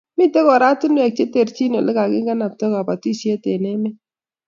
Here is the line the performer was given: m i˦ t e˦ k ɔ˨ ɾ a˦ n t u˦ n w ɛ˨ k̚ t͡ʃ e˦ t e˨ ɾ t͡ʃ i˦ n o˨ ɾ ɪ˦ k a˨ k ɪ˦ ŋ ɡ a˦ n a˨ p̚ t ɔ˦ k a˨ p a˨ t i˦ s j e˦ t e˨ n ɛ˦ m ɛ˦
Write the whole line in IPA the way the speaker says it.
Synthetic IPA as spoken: m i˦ t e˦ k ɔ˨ ɾ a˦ t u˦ n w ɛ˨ k̚ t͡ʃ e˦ t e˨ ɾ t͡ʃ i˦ n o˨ l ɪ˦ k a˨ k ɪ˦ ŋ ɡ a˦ n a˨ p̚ t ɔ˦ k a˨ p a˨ t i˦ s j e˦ t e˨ n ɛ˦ m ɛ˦